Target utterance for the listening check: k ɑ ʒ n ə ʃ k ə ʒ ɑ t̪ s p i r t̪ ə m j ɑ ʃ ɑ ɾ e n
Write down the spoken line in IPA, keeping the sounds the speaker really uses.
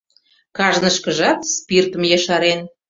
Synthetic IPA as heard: k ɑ ʒ n ə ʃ k ə ʒ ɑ t̪ s p i r t̪ ə m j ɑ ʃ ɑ ɾ e n